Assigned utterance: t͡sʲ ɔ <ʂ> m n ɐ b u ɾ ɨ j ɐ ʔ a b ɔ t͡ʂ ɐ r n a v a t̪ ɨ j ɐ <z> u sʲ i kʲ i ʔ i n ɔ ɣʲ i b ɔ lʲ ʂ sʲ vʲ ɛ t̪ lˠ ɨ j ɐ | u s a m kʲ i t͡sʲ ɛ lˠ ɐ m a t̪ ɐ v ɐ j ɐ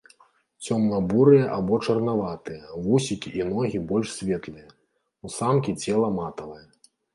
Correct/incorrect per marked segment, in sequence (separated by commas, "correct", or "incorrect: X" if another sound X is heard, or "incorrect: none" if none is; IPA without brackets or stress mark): incorrect: none, incorrect: v